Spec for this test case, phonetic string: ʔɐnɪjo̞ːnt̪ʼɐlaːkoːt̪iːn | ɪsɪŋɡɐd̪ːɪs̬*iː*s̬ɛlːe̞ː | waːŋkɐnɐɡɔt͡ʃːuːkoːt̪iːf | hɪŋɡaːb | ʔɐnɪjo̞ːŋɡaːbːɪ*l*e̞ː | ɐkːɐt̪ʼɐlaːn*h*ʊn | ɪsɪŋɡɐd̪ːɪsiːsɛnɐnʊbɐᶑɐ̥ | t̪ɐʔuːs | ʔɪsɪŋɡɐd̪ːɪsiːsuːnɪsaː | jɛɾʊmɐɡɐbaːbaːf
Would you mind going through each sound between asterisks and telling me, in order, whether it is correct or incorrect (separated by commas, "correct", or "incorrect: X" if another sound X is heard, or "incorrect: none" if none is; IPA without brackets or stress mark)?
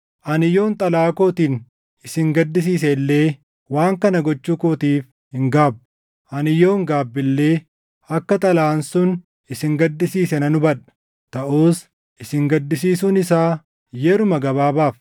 correct, incorrect: lː, incorrect: s